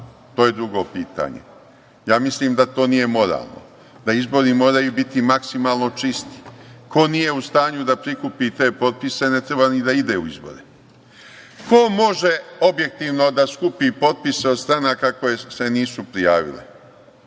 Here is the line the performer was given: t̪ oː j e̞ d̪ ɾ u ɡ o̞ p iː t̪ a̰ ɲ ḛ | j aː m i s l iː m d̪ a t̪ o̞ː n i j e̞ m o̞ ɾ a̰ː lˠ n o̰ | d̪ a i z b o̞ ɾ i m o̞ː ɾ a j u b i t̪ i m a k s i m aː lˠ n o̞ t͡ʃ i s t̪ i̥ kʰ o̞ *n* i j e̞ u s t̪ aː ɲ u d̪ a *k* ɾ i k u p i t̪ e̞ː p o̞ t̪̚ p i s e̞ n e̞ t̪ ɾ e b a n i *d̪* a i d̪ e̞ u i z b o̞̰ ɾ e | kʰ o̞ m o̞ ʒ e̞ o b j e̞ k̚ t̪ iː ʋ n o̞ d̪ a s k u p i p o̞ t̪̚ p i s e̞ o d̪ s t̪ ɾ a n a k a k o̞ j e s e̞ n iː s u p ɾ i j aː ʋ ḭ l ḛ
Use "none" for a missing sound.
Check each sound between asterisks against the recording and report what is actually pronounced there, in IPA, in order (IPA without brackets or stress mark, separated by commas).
n, p, d̪